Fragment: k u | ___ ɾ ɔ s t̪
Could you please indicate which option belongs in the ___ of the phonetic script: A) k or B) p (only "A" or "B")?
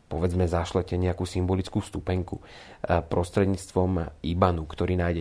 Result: B